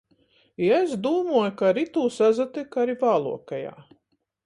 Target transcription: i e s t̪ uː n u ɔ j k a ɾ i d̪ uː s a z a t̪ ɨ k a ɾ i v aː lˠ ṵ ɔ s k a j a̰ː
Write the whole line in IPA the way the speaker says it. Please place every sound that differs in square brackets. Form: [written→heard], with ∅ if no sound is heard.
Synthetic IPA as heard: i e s [t̪→d̪] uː [n→m] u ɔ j k a ɾ i [d̪→t̪] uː s a z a t̪ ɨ k a ɾ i v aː lˠ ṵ ɔ [s→∅] k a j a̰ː